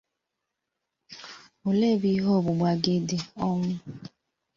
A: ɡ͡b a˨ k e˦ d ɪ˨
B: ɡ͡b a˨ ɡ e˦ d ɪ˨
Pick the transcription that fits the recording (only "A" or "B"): B